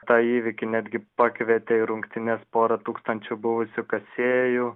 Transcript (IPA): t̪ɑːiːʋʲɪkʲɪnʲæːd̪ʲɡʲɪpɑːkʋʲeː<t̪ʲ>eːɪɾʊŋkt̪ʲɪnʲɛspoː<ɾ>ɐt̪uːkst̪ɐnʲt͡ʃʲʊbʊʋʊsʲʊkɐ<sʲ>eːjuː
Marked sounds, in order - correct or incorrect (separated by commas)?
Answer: correct, correct, correct